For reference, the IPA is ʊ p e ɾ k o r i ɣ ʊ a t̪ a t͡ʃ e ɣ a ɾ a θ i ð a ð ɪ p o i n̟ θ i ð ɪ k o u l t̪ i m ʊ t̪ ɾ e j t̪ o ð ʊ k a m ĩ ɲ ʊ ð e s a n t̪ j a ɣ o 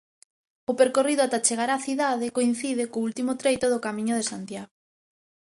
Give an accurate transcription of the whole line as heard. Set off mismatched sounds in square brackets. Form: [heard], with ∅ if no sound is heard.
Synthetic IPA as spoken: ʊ p e ɾ k o r i [ð] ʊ a t̪ a t͡ʃ e ɣ a ɾ a θ i ð a ð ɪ [k] o i n̟ θ i ð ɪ k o u l t̪ i m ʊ t̪ ɾ e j t̪ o ð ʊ k a m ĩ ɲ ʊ ð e s a n t̪ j a ɣ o